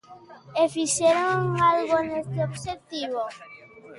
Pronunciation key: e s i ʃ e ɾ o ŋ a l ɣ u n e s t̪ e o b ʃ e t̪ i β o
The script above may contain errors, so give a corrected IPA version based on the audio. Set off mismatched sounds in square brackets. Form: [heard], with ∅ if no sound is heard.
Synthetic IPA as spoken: e [f] i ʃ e ɾ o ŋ a l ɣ [o] n e s t̪ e o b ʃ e t̪ i β o

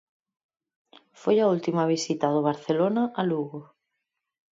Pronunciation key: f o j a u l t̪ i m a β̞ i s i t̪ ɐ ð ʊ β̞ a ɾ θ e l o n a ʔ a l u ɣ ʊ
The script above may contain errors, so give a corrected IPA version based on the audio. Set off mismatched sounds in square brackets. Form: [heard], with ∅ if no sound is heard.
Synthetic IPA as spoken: f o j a u l t̪ i m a β̞ i s i t̪ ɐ ð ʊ β̞ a ɾ θ e l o n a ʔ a l u ɣ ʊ

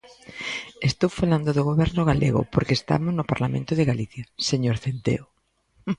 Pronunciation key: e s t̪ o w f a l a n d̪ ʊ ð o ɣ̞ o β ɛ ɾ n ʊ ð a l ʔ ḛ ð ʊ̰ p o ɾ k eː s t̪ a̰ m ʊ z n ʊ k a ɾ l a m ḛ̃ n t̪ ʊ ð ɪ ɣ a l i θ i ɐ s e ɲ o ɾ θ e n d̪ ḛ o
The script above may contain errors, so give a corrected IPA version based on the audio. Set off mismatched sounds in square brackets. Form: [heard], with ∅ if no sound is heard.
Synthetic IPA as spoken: e s t̪ o w f a l a n d̪ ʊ ð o ɣ̞ o β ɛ ɾ n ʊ [ɣ] a l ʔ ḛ [ɣ] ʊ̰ p o ɾ k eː s t̪ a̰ m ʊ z n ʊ [p] a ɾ l a m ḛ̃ n t̪ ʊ ð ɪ ɣ a l i θ [j] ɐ s e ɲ o ɾ θ e n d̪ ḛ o

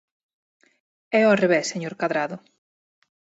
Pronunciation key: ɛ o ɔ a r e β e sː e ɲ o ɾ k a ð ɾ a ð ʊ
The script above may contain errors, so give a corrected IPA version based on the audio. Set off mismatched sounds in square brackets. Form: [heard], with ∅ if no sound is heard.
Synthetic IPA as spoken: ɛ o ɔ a r e β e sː e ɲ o ɾ k a ð ɾ a ð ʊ

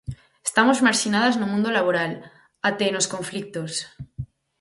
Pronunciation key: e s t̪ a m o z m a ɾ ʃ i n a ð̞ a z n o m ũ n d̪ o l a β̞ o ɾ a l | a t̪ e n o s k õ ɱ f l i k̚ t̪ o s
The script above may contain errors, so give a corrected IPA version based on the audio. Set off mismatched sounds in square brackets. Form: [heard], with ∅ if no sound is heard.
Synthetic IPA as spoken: e s t̪ a m o z m a ɾ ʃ i n a ð̞ a z n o m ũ n d̪ o l a β̞ o ɾ a l | a t̪ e n o s k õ ɱ f l i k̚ t̪ o s

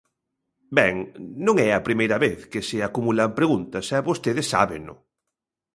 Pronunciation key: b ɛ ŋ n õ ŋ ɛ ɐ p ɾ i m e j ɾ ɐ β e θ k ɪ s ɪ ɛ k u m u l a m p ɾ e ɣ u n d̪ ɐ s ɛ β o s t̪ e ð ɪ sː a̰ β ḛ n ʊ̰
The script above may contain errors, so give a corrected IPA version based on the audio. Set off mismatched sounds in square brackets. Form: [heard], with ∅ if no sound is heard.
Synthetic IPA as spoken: b ɛ ŋ n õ ŋ ɛ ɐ p ɾ i m e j ɾ ɐ β e θ k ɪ s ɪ [a] k u m u l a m p ɾ e ɣ u n [t̪] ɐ s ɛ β o s t̪ e ð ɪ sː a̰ β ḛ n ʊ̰

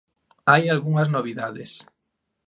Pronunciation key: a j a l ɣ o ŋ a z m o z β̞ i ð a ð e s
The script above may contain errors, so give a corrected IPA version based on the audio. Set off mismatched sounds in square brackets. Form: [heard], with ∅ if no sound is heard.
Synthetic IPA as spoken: a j a l ɣ [u] ŋ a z [n] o [∅] β̞ i ð a ð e s

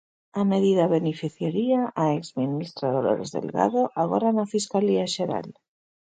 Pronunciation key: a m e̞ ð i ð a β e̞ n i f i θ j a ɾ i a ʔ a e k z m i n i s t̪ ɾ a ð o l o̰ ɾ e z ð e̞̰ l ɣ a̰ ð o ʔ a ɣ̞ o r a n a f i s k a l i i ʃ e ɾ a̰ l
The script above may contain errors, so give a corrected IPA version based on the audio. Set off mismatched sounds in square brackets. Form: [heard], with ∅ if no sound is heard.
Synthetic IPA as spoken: a m e̞ ð i ð a β e̞ n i f i θ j a ɾ i a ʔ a e k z m i n i s t̪ ɾ a ð o l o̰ ɾ e z ð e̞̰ l ɣ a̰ ð o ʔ a ɣ̞ o r a n a f i s k a l i [a] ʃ e ɾ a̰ l

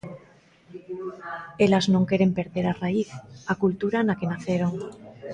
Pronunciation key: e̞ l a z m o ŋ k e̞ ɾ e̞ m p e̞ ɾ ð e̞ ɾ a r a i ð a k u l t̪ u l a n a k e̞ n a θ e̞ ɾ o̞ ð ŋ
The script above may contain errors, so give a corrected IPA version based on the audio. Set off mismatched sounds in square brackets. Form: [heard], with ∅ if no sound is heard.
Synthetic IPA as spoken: e̞ l a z [n] o ŋ k e̞ ɾ e̞ m p e̞ ɾ ð e̞ ɾ a r a i [θ] a k u l t̪ u [ɾ] a n a k e̞ n a θ e̞ ɾ o̞ [∅] ŋ

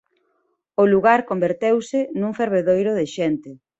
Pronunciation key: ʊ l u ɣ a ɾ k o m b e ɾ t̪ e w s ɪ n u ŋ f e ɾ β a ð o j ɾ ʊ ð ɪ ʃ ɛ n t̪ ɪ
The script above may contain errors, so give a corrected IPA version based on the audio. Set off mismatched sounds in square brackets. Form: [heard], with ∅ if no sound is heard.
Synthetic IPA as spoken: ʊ l u ɣ a ɾ k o m b e ɾ t̪ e w s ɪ n u ŋ f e ɾ β [e] ð o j ɾ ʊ ð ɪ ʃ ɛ n t̪ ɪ

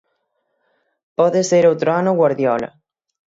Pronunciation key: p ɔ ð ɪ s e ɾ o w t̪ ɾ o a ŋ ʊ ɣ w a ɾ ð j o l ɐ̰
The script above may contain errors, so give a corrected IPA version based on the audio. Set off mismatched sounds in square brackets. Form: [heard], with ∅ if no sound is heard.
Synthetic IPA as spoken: p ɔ ð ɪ s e ɾ o w t̪ ɾ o a [n] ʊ ɣ w a ɾ ð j [ɔ] l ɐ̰

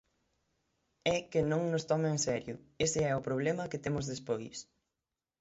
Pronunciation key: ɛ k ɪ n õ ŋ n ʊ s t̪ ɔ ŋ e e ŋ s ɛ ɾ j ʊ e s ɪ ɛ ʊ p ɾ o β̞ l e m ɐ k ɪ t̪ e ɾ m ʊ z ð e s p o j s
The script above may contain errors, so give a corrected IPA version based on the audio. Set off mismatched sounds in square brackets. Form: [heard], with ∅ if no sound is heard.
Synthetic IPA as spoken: ɛ k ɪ n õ ŋ n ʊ s t̪ ɔ [m] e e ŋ s ɛ ɾ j ʊ e s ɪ ɛ ʊ p ɾ o β̞ l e m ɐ k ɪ t̪ e [∅] m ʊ z ð e s p o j s

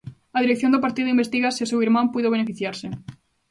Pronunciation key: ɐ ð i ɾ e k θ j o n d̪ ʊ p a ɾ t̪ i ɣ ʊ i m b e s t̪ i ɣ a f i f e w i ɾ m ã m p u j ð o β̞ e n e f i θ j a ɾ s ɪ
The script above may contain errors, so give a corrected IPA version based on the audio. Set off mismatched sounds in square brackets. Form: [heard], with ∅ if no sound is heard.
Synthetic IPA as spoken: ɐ ð i ɾ e k θ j o n d̪ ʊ p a ɾ t̪ i [ð] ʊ i m b e s t̪ i ɣ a [s] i [s] e w i ɾ m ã m p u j ð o β̞ e n e f i θ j a ɾ s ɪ

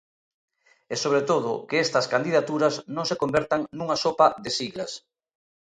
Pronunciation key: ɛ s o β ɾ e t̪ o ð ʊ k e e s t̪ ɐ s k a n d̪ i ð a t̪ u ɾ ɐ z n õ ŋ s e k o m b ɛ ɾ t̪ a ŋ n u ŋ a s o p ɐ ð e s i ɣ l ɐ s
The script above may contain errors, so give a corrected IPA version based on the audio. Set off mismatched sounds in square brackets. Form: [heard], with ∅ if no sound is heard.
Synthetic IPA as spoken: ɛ s o β ɾ e t̪ o ð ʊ k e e s t̪ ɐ s k a n d̪ i ð a t̪ u ɾ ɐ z n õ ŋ s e k o m b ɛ ɾ t̪ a ŋ n u ŋ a s o p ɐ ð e s i ɣ l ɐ s

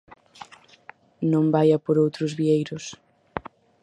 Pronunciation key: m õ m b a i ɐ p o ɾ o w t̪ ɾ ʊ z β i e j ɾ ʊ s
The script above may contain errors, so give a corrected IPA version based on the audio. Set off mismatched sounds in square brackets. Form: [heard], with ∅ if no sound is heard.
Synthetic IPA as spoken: [n] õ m b a [j] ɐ p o ɾ o w t̪ ɾ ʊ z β i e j ɾ ʊ s

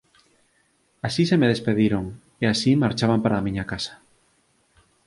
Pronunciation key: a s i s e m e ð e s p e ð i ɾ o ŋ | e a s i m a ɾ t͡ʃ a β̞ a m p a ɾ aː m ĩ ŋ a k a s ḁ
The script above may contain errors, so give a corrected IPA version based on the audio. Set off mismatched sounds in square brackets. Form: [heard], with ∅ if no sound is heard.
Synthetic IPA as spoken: a s i s e m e ð e s p e ð i ɾ o ŋ | e a s i m a ɾ t͡ʃ a β̞ a m p a ɾ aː m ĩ [ɲ] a k a s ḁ

